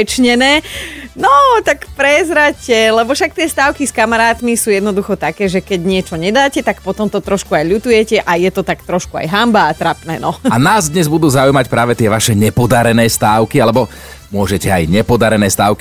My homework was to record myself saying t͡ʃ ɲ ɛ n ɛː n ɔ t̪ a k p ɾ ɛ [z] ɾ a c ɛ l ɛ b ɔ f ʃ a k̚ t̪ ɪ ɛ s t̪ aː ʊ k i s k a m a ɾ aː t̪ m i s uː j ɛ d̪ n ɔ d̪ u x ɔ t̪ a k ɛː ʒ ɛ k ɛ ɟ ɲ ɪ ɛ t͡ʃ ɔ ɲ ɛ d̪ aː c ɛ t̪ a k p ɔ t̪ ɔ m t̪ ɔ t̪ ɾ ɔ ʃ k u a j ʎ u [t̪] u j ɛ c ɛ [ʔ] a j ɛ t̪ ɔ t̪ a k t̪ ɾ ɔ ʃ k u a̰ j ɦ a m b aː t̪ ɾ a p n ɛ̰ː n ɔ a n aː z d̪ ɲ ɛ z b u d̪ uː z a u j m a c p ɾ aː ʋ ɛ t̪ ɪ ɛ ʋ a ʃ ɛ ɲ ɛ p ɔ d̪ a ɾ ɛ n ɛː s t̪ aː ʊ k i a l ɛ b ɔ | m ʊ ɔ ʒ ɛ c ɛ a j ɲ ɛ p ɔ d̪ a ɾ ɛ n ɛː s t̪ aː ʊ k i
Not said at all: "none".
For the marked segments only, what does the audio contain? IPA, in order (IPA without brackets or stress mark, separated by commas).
z, t̪, ʔ